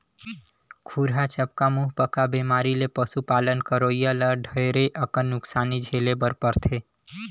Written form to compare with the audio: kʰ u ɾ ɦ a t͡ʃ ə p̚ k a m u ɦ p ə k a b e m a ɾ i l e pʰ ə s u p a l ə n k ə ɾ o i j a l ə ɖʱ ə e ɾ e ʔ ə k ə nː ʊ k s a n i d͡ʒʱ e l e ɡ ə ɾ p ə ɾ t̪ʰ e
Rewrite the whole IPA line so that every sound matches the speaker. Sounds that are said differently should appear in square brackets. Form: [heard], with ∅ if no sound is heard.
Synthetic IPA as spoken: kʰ u ɾ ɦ a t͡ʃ ə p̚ k a m u ɦ p ə k a b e m a ɾ i l e [p] ə s u p a l ə n k ə ɾ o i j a l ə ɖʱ ə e ɾ e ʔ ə k ə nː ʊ k s a n i d͡ʒʱ e l e [b] ə ɾ p ə ɾ t̪ʰ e